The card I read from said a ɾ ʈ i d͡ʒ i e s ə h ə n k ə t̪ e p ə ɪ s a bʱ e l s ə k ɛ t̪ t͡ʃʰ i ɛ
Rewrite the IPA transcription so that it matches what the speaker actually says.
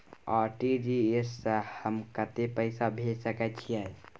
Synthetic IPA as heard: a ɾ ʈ i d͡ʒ i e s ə h ə m k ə t̪ e p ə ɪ s a bʱ e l s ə k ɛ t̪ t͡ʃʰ i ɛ